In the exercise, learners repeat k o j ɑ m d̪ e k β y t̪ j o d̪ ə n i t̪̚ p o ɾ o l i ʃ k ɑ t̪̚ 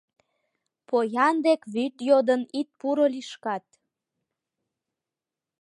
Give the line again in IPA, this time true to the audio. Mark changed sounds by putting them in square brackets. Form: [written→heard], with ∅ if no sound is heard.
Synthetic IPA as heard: [k→p] o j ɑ [m→n] d̪ e k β y t̪ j o d̪ ə n i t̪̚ p [o→u] ɾ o l i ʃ k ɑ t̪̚